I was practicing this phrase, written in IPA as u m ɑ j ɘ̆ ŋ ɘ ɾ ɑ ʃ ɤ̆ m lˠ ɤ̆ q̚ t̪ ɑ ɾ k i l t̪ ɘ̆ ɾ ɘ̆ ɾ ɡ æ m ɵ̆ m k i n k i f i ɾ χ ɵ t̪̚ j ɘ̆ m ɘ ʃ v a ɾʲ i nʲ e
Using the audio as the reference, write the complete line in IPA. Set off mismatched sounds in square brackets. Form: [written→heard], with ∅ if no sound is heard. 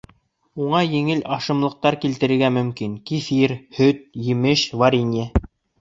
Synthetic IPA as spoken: u [m→ɴ] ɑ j ɘ̆ ŋ ɘ [ɾ→l] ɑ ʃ ɤ̆ m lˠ ɤ̆ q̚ t̪ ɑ ɾ k i l t̪ ɘ̆ ɾ ɘ̆ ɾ ɡ æ m ɵ̆ m k i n k i f i ɾ [χ→h] ɵ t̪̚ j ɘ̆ m ɘ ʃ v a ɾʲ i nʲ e